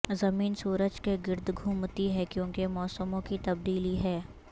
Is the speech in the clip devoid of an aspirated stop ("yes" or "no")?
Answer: yes